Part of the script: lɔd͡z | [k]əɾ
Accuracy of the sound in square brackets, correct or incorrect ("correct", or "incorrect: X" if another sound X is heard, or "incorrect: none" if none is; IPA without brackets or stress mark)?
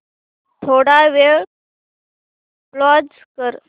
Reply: correct